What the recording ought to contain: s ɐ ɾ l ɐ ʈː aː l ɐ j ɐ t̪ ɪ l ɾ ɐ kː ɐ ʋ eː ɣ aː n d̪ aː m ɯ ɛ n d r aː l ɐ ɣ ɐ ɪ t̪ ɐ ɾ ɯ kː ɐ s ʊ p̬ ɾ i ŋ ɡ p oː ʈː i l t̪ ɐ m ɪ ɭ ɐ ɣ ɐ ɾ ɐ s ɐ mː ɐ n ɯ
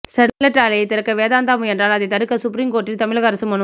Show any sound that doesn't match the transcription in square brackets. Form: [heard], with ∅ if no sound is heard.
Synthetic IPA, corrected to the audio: s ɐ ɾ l ɐ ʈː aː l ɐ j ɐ t̪ ɪ [∅] ɾ ɐ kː ɐ ʋ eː [ð] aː n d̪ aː m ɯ ɛ n d r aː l ɐ [ð] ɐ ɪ t̪ ɐ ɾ ɯ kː ɐ s ʊ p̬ ɾ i ŋ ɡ [k] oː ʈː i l t̪ ɐ m ɪ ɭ ɐ ɣ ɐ ɾ ɐ s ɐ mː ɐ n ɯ